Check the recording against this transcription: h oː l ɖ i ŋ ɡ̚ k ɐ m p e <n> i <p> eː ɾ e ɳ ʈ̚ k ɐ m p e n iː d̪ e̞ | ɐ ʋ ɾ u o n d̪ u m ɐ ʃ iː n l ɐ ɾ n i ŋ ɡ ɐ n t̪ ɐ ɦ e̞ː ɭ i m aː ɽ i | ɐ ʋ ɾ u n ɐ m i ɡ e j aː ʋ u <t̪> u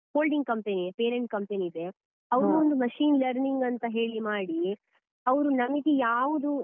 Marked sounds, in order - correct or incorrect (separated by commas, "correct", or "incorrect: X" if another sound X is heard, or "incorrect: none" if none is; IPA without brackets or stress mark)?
correct, correct, incorrect: d̪